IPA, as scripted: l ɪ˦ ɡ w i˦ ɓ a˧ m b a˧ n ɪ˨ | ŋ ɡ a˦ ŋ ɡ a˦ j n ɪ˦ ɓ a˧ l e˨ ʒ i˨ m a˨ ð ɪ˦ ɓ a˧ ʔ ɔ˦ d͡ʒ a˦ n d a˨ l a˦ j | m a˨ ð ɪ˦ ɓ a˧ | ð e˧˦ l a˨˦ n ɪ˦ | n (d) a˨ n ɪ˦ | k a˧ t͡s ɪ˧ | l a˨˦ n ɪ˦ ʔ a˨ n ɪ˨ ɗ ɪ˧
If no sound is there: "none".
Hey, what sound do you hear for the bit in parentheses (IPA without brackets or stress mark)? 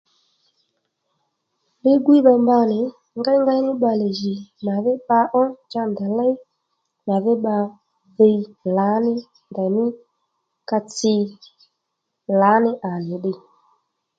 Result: d